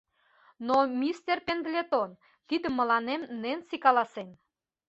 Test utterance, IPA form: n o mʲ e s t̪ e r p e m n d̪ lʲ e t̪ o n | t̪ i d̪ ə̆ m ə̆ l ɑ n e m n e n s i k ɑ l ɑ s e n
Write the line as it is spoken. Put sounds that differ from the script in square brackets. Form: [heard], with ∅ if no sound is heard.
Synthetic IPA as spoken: n o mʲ [i] s t̪ e r p e [∅] n d̪ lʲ e t̪ o n | t̪ i d̪ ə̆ m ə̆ l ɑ n e m n e n s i k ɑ l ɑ s e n